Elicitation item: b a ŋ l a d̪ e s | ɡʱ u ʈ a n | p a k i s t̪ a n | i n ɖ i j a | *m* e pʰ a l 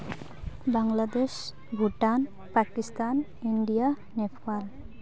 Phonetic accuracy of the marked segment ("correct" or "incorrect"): incorrect